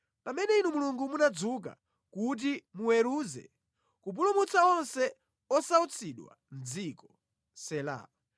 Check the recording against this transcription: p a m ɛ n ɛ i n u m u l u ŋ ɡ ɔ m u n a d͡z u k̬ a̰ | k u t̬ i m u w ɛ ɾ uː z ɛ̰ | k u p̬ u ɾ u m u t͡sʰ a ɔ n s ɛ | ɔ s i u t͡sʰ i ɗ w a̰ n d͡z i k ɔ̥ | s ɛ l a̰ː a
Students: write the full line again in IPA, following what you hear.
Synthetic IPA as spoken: p a m ɛ n ɛ i n u m u l u ŋ ɡ u m u n a d͡z u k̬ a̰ | k u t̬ i m u w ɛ ɾ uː z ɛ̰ | k u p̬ u l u m u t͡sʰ a ɔ n s ɛ | ɔ s a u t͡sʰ i ɗ w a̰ n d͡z i k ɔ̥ | s ɛ l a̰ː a